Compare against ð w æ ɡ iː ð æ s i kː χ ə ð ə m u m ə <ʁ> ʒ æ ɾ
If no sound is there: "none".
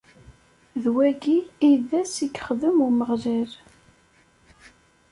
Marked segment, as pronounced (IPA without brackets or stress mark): ʁ